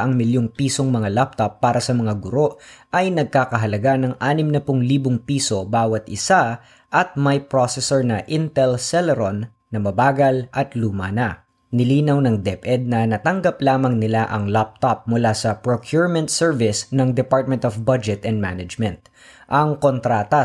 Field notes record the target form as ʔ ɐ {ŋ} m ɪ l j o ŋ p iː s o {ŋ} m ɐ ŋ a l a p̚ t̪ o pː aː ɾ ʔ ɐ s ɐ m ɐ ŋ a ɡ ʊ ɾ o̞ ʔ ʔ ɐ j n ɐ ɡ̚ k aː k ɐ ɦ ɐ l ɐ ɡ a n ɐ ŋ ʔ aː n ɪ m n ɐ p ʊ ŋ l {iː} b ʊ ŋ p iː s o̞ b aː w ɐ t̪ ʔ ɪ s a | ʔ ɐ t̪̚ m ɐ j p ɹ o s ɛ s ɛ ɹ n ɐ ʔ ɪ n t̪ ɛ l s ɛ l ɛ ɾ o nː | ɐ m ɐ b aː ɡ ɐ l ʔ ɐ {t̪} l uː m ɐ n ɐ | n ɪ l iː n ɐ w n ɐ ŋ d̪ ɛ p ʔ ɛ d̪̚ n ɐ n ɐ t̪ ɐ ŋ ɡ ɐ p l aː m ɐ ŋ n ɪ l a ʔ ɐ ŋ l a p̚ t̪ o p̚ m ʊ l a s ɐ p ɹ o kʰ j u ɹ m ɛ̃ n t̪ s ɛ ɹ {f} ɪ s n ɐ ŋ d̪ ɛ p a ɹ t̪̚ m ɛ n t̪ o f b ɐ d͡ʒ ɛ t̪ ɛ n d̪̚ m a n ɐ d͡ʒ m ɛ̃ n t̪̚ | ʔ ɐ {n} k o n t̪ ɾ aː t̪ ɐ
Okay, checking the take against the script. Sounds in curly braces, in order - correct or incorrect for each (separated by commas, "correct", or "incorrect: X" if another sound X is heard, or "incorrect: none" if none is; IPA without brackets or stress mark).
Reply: correct, correct, correct, correct, incorrect: v, incorrect: ŋ